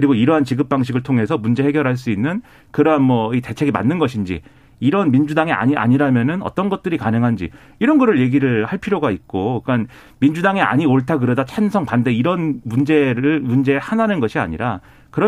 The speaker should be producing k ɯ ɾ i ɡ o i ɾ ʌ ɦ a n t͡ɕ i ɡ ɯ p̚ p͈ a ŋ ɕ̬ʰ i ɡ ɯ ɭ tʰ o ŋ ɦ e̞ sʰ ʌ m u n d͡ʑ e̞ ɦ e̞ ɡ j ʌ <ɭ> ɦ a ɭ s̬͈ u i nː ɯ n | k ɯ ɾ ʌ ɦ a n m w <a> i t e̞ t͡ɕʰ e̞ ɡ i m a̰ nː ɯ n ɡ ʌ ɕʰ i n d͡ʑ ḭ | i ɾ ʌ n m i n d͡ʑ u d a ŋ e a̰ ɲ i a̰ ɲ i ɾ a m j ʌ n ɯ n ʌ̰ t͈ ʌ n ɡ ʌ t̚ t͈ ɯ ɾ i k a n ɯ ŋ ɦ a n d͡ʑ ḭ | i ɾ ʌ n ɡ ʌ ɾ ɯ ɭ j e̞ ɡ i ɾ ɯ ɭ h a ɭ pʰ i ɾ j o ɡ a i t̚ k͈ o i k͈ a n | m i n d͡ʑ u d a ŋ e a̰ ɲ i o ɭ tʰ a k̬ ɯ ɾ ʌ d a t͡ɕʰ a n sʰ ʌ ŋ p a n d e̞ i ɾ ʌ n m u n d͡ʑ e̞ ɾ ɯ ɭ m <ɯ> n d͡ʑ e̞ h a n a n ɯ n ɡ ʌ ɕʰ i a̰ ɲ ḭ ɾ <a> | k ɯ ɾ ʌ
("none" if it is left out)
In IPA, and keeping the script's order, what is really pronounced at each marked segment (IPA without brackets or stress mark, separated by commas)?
ɾ, ʌ, u, a